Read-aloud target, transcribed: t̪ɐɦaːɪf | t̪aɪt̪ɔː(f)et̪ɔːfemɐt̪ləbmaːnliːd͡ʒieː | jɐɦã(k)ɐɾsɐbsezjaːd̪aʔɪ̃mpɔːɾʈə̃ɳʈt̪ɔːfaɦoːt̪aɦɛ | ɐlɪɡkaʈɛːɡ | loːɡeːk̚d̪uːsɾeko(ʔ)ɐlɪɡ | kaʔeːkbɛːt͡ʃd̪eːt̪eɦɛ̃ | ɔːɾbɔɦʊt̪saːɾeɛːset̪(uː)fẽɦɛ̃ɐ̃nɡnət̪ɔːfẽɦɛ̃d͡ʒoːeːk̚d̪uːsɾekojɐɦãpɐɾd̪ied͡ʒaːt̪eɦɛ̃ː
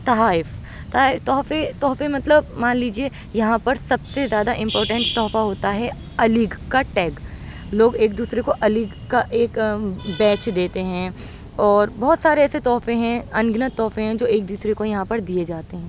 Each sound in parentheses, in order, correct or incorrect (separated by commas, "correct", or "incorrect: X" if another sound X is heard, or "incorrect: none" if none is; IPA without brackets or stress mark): correct, incorrect: p, correct, incorrect: ɔː